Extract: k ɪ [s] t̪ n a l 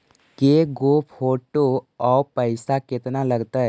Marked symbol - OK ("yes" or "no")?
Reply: no